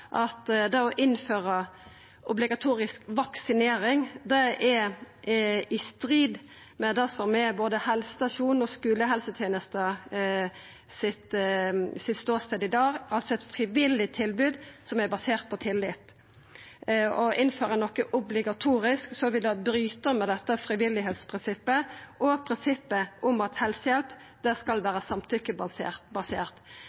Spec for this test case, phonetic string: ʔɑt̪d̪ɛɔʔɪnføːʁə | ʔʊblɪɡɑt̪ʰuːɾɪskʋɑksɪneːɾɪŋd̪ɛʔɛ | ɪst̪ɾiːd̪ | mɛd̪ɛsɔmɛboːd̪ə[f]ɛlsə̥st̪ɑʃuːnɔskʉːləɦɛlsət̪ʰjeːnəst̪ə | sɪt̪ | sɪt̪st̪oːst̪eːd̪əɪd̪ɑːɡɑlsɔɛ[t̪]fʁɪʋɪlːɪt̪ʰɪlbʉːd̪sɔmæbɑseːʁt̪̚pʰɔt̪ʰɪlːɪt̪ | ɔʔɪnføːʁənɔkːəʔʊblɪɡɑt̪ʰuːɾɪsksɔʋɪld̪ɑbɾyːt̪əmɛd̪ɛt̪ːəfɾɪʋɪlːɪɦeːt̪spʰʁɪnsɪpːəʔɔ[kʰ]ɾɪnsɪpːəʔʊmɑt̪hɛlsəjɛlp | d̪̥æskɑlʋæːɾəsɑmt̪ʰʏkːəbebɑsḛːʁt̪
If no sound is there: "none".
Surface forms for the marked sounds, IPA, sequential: h, t̪, pʰ

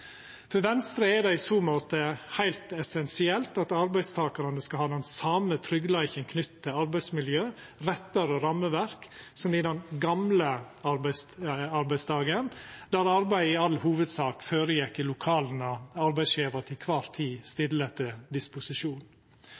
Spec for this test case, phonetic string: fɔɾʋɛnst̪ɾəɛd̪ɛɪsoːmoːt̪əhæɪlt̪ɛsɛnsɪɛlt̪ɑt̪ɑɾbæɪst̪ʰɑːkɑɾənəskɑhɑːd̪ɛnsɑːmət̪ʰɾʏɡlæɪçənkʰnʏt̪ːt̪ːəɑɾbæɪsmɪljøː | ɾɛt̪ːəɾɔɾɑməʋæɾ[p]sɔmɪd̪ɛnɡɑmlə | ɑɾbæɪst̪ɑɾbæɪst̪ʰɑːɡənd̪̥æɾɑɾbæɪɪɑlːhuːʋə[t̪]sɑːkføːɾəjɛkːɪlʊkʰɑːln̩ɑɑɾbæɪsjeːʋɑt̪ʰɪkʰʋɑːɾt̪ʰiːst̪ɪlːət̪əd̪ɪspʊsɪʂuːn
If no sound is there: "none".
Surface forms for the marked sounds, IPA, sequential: k, d̪

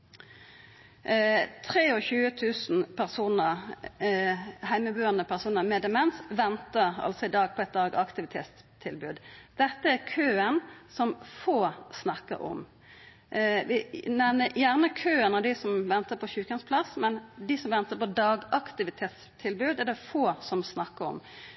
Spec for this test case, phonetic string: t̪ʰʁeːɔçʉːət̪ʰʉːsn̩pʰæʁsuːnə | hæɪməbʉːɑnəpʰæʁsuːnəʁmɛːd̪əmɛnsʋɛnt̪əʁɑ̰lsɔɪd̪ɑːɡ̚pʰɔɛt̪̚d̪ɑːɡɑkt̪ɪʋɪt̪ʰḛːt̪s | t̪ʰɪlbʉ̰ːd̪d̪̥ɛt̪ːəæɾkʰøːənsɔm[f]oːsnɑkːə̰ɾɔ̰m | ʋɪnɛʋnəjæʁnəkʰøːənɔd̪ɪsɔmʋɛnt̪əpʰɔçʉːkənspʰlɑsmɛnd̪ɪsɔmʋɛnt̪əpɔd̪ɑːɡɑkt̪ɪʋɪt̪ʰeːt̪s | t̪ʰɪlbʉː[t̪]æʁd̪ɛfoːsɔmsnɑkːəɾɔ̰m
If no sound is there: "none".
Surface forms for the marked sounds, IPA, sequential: f, d̪

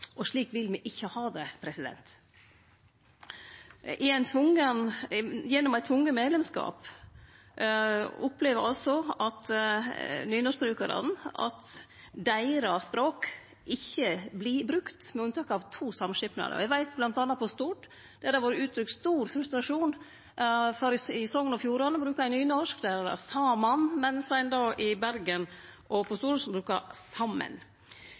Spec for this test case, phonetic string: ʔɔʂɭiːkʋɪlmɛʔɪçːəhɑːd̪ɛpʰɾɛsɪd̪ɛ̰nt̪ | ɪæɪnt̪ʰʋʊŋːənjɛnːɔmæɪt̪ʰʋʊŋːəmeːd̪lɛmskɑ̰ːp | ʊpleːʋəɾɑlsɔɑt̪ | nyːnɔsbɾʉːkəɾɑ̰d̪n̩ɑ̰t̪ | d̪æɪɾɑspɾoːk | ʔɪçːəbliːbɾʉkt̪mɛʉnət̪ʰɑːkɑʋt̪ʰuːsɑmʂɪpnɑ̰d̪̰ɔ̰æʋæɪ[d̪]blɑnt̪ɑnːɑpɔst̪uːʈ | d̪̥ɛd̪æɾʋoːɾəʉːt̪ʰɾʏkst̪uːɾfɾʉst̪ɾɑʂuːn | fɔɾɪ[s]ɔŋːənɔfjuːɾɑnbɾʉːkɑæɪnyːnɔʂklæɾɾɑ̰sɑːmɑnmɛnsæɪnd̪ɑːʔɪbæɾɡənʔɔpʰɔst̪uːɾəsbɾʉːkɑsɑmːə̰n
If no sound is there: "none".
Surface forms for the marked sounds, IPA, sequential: t̪, s

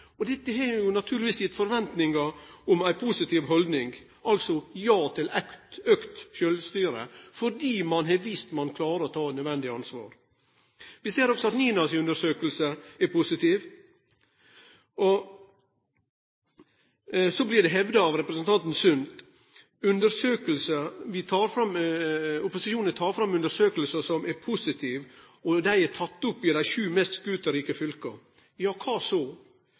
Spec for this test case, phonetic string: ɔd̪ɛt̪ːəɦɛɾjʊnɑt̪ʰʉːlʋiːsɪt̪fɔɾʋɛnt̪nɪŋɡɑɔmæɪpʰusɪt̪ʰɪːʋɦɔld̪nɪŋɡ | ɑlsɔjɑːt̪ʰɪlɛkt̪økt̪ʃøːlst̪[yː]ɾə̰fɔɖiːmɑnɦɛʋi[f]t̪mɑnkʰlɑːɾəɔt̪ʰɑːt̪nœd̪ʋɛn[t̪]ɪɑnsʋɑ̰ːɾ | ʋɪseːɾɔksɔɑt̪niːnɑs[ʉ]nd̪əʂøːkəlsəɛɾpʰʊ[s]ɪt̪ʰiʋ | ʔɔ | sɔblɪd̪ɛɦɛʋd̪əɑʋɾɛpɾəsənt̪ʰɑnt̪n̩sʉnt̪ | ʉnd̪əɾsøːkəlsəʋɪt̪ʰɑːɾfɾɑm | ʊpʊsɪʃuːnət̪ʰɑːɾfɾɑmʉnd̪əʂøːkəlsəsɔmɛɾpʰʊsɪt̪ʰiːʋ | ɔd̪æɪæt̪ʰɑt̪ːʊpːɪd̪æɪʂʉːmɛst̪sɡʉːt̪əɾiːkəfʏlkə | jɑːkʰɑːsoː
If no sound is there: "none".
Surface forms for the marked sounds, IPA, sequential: yː, s, d̪, ʉ, s

